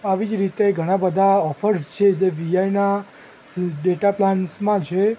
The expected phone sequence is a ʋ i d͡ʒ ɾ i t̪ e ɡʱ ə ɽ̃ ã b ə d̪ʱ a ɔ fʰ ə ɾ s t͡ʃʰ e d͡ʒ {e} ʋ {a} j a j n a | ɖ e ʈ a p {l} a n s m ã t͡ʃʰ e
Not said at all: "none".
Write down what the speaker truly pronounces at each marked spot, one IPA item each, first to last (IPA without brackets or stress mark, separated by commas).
e, i, l